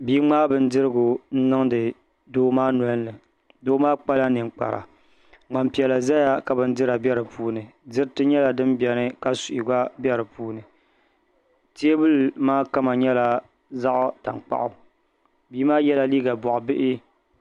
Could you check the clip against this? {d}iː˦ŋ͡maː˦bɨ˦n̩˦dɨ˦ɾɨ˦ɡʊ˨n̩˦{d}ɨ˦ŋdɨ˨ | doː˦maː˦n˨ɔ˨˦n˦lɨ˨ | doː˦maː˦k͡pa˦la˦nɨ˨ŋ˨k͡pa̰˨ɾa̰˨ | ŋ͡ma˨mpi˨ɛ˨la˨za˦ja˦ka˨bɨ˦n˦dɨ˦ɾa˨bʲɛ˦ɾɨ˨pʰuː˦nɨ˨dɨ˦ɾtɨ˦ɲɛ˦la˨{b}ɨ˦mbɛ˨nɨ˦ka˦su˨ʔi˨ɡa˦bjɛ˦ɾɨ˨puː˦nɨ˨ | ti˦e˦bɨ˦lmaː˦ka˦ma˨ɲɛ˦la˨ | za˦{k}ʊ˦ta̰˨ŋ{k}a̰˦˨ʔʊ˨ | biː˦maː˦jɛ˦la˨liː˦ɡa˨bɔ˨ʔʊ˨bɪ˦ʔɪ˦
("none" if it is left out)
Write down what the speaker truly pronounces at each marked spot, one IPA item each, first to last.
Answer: b, n, d, ʔ, k͡p

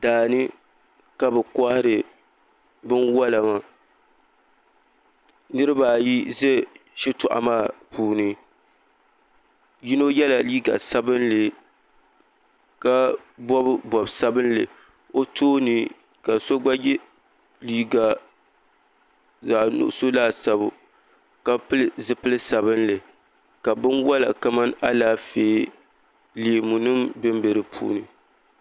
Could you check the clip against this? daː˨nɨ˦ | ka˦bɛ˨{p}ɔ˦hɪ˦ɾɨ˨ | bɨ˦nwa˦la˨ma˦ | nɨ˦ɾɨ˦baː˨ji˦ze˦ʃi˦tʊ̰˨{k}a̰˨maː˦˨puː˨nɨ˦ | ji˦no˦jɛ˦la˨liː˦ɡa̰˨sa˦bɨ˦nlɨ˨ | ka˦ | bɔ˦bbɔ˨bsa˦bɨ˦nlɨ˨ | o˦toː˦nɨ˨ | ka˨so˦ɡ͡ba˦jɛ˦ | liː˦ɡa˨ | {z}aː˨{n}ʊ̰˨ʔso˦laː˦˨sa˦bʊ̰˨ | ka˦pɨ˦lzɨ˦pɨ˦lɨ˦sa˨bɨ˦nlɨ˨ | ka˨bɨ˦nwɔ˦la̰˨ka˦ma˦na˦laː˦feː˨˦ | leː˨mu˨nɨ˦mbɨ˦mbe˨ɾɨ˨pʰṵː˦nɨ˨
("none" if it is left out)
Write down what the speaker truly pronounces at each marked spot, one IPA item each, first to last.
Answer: k, ʔ, z, n

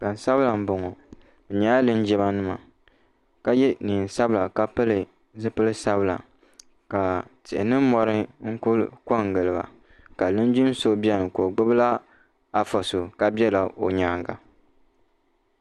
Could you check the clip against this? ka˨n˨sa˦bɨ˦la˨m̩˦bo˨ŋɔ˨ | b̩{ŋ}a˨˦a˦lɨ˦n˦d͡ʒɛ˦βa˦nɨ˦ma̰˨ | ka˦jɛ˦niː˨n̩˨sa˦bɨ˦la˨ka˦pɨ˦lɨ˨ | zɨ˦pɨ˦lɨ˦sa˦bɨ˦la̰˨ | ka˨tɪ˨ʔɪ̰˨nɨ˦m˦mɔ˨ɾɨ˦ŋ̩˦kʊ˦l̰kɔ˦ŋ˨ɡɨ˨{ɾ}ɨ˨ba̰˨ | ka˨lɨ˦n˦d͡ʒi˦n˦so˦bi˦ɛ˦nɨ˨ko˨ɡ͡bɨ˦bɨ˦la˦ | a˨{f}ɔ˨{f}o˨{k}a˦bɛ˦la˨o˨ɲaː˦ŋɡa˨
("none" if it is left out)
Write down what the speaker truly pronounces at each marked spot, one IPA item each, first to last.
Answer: ɲ, l, f, s, k

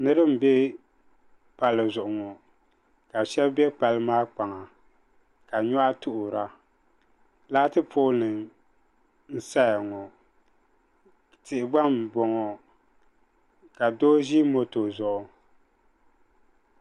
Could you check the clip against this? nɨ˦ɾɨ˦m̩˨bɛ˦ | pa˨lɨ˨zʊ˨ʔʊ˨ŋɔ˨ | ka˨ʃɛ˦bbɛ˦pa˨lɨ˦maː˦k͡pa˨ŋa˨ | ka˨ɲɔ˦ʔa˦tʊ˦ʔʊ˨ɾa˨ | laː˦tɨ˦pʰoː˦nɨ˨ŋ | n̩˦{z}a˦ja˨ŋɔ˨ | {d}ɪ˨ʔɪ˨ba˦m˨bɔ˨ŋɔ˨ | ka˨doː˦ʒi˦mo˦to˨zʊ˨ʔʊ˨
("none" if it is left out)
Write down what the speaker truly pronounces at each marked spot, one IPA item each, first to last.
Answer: s, t

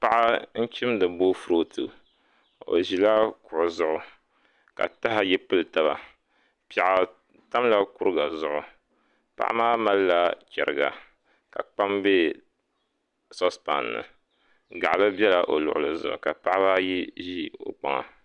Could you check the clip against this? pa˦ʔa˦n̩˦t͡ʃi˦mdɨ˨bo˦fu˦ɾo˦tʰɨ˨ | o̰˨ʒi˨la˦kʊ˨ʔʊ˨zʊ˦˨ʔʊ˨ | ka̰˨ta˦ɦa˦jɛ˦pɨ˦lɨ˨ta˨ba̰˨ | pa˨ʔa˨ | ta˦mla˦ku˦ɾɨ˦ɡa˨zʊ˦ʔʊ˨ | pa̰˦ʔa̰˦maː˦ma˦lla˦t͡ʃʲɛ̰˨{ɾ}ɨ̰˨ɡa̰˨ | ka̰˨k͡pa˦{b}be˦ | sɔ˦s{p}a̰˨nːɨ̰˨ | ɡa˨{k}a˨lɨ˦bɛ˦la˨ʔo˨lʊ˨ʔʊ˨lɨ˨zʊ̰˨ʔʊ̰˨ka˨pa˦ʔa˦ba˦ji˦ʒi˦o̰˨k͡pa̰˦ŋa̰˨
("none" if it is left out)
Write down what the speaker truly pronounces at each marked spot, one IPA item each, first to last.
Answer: ɾ, m, p, ʔ

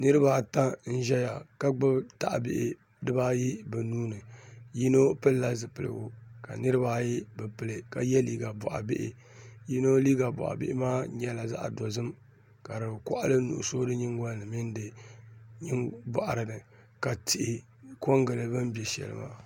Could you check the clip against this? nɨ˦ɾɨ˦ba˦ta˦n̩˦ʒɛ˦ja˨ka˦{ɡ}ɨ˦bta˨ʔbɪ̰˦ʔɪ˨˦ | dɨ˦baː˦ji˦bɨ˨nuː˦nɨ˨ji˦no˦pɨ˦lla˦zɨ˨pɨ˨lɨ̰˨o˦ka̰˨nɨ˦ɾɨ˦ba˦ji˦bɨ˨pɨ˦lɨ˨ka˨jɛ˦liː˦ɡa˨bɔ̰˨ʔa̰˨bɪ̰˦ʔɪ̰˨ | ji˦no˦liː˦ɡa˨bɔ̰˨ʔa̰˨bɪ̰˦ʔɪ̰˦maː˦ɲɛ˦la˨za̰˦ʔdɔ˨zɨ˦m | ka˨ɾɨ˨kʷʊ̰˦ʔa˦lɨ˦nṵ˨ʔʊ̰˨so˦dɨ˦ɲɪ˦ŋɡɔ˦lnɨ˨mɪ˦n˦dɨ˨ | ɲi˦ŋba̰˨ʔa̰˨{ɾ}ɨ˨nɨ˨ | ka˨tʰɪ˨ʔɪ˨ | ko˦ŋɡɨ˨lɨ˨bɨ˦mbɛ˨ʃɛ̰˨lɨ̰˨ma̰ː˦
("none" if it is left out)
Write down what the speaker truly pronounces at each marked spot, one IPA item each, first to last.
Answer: ɡ͡b, ɾ

